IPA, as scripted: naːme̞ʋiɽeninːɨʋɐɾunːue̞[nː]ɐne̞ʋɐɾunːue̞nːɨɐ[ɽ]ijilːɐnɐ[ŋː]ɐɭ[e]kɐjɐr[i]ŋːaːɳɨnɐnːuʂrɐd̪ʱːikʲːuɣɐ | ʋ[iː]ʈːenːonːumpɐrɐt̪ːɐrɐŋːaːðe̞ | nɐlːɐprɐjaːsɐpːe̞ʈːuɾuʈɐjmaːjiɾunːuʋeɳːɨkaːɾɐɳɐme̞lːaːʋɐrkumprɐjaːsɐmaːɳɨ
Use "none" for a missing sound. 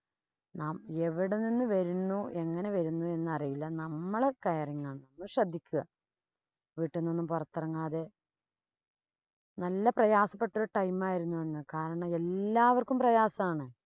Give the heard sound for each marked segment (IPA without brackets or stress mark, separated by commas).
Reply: ŋː, r, mː, e, i, iː